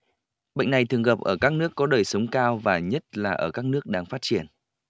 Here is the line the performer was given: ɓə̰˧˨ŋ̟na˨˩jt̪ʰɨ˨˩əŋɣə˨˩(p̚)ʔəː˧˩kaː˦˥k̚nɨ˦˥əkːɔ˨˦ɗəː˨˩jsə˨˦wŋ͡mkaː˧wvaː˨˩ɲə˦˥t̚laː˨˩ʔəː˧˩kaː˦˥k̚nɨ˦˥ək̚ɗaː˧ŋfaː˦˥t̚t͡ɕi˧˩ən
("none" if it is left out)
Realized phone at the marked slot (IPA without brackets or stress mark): p̚